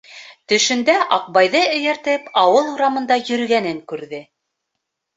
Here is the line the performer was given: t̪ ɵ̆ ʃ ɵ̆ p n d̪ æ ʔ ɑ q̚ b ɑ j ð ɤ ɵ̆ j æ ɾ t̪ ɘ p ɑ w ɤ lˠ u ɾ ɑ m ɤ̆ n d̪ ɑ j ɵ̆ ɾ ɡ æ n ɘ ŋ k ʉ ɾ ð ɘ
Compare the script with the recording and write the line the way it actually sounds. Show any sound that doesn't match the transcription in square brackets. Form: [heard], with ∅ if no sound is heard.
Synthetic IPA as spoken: t̪ ɵ̆ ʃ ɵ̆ [∅] n d̪ æ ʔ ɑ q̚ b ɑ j ð ɤ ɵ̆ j æ ɾ t̪ ɘ p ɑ w ɤ lˠ u ɾ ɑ m ɤ̆ n d̪ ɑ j ɵ̆ ɾ ɡ æ n ɘ ŋ k ʉ ɾ ð ɘ

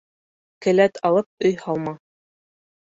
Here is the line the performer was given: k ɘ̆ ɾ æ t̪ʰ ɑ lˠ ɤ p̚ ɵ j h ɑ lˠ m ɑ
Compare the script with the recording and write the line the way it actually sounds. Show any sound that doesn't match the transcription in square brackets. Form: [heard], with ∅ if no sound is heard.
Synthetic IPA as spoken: k ɘ̆ [l] æ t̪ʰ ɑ lˠ ɤ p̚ ɵ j h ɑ lˠ m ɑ

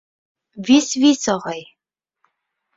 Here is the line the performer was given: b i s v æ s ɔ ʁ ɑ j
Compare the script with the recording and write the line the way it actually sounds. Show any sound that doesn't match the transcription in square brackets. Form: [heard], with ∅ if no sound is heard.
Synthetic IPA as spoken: [v] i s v [i] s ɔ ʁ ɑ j

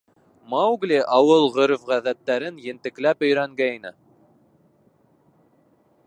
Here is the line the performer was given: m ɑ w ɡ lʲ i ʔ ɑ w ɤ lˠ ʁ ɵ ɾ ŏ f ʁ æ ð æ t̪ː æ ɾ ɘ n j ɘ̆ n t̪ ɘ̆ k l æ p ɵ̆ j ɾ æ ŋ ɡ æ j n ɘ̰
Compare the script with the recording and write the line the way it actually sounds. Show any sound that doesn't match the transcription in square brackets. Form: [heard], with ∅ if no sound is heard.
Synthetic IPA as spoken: m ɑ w ɡ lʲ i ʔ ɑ w ɤ lˠ ʁ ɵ ɾ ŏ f ʁ æ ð æ t̪ː æ ɾ ɘ n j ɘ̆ n t̪ ɘ̆ k l æ p ɵ̆ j ɾ æ ŋ ɡ æ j n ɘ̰

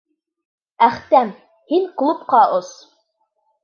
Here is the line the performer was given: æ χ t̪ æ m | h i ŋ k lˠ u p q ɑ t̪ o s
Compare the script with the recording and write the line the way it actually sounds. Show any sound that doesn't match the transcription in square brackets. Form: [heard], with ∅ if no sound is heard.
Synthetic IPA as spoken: æ χ t̪ æ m | h i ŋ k lˠ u p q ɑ [∅] o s

